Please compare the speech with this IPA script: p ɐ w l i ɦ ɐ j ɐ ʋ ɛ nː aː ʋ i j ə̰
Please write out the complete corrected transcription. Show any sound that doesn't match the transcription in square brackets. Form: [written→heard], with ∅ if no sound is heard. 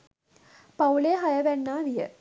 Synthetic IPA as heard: p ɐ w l [i→e] ɦ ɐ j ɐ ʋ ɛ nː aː ʋ i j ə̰